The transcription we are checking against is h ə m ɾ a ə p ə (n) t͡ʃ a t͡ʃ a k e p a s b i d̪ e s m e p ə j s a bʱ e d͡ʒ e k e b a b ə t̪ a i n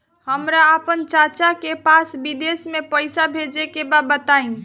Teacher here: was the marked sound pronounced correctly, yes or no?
yes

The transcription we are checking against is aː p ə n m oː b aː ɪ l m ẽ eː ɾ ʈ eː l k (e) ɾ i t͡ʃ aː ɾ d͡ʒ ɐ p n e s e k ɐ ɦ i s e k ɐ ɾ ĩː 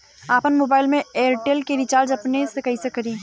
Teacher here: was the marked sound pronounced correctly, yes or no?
yes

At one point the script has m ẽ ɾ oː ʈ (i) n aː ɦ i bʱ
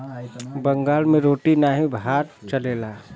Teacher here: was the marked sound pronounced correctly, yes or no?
yes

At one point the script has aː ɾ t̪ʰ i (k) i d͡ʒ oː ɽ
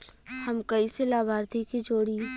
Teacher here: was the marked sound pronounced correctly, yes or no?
yes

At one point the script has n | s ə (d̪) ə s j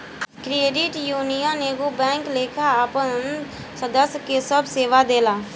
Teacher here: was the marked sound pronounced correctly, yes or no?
yes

